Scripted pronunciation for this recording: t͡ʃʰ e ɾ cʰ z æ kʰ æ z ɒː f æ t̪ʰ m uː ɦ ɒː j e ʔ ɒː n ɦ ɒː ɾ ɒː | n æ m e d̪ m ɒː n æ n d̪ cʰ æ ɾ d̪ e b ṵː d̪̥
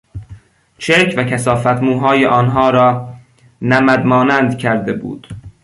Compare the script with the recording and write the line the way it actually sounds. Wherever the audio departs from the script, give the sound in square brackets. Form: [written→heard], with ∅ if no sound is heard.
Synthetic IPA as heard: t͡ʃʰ e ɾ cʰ [z→v] æ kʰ æ [z→s] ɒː f æ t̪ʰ m uː ɦ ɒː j e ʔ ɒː n ɦ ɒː ɾ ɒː | n æ m [e→æ] d̪ m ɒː n æ n d̪ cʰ æ ɾ d̪ e b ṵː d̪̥